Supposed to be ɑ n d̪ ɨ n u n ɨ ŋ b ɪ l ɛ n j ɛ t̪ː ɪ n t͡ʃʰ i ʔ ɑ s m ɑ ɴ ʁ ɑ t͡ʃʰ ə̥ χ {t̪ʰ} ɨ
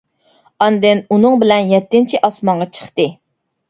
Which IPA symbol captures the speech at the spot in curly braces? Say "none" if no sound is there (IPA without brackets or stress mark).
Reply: t̪